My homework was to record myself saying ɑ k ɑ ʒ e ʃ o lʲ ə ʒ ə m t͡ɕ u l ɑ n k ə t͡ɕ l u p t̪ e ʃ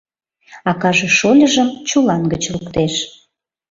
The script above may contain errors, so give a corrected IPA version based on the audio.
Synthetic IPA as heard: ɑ k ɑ ʒ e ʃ o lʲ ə ʒ ə m t͡ɕ u l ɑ n ɡ ə t͡ɕ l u k t̪ e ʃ